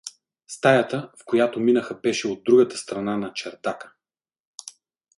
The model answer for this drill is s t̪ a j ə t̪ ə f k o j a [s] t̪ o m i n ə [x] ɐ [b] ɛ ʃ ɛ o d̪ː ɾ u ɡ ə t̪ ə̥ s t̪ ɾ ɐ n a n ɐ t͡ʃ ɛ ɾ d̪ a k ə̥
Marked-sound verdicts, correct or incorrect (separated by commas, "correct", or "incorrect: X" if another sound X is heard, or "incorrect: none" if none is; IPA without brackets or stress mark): incorrect: none, correct, correct